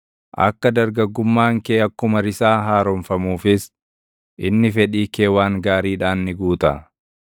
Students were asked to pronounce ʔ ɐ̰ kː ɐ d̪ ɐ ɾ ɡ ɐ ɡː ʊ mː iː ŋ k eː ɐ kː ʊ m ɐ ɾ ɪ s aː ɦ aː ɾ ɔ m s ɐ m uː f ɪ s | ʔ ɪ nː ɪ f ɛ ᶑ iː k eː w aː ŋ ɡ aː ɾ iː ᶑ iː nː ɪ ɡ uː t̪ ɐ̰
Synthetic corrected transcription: ʔ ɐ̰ kː ɐ d̪ ɐ ɾ ɡ ɐ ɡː ʊ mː aː ŋ k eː ɐ kː ʊ m ɐ ɾ ɪ s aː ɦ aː ɾ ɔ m f ɐ m uː f ɪ s | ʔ ɪ nː ɪ f ɛ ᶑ iː k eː w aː ŋ ɡ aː ɾ iː ᶑ aː nː ɪ ɡ uː t̪ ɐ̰